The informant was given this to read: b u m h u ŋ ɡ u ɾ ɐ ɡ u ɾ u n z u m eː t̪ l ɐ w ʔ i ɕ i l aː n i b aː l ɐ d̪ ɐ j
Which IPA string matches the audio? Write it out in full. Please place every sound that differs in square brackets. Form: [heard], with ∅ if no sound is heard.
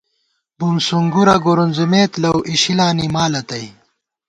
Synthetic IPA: b u m [s] u ŋ ɡ u ɾ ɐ ɡ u ɾ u n z u m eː t̪ l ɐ w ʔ i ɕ i l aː n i [m] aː l ɐ [t̪] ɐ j